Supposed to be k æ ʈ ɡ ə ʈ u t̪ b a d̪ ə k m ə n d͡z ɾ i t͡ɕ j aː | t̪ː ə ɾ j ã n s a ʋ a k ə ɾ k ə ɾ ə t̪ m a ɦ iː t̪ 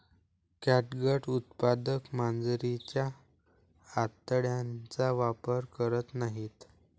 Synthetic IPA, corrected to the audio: k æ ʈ ɡ ə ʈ u t̪ p a d̪ ə k m a n d͡z ɾ i t͡ɕ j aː | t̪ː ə ɽ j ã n t͡s a ʋ a p ə ɾ k ə ɾ ə t̪ n a ɦ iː t̪